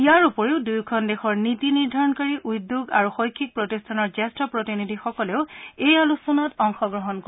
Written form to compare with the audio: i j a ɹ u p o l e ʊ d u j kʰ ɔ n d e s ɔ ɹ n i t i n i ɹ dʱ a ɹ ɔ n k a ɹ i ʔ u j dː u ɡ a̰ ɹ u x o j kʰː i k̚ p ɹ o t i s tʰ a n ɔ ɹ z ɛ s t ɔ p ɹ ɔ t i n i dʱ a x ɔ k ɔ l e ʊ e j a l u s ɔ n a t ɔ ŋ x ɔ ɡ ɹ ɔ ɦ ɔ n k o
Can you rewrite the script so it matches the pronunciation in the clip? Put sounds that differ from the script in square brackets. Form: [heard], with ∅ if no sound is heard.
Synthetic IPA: i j a ɹ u p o [ɹ] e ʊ d u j kʰ ɔ n d e [x] ɔ ɹ n i t i n i ɹ dʱ a ɹ ɔ n k a ɹ i ʔ u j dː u ɡ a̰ ɹ u x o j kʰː i k̚ p ɹ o t i s tʰ a n ɔ ɹ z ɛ s t ɔ p ɹ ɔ t i n i dʱ [i] x ɔ k ɔ l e ʊ e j a l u s ɔ n a t ɔ ŋ x ɔ ɡ ɹ ɔ ɦ ɔ n k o